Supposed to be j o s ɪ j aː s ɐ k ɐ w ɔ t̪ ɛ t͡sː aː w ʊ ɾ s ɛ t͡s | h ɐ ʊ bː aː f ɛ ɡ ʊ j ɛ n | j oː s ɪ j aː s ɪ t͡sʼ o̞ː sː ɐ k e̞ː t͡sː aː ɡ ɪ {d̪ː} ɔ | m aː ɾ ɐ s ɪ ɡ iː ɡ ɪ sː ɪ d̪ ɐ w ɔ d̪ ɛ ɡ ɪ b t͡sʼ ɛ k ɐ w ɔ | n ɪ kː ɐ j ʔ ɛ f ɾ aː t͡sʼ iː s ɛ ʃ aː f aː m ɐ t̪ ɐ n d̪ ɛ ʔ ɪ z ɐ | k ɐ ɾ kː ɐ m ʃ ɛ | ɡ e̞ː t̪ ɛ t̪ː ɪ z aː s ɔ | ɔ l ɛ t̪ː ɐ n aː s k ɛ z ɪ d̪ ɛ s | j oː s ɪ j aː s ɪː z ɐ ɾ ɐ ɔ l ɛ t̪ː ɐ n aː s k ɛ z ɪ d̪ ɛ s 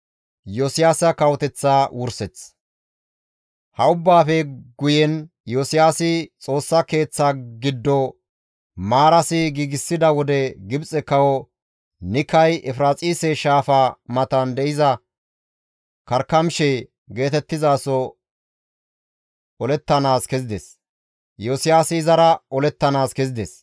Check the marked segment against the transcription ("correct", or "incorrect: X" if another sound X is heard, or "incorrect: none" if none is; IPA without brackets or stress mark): correct